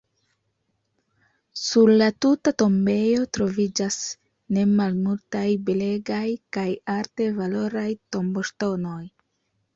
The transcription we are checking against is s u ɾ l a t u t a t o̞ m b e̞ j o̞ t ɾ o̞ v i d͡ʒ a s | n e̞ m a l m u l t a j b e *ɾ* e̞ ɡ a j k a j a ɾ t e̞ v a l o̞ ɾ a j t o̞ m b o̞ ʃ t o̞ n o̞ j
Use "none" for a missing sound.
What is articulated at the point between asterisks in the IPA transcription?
l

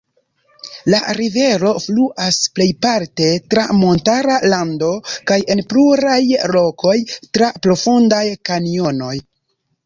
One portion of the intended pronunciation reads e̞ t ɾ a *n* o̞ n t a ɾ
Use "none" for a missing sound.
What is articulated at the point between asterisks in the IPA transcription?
m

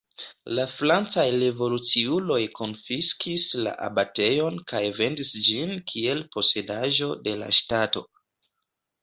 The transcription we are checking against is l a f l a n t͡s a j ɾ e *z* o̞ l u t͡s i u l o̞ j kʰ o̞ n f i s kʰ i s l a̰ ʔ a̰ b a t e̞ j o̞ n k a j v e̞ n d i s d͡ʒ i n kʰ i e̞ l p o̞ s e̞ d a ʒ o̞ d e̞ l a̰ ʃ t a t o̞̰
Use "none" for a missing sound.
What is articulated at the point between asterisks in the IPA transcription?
v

